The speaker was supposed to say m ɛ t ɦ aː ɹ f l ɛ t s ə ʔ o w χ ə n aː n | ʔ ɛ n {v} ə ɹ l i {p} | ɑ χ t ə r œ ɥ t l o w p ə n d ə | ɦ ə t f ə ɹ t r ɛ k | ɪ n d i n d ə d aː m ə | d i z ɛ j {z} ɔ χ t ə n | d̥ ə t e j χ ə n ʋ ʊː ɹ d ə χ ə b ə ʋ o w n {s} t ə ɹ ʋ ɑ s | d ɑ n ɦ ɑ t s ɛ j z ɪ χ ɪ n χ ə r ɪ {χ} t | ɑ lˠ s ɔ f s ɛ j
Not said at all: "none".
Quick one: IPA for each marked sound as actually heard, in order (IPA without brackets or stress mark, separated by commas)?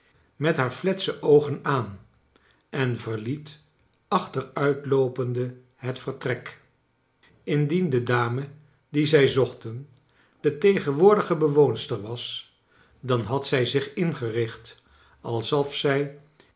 v, t, z, s, χ